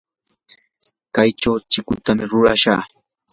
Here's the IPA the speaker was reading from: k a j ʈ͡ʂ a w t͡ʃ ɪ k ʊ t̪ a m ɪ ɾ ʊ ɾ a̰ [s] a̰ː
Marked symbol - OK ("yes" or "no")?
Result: no